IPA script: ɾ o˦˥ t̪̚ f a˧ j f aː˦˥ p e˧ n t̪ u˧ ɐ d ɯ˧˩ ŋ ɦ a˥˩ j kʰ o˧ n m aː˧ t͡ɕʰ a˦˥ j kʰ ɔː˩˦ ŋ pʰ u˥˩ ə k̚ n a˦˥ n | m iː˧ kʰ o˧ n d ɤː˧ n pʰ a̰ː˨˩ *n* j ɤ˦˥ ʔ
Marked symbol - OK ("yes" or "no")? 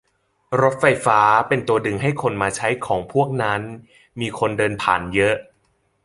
yes